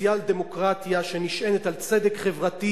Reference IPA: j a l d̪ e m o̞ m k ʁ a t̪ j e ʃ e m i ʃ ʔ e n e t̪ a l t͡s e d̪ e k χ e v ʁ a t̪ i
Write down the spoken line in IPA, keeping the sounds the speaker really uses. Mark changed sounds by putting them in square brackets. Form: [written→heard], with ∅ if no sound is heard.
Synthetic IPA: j a l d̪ e m o̞ [m→∅] k ʁ a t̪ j [e→a] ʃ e [m→n] i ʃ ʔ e n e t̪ a l t͡s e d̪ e k χ e v ʁ a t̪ i